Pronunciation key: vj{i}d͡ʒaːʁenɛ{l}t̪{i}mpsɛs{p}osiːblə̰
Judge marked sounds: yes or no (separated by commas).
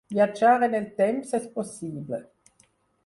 no, yes, no, yes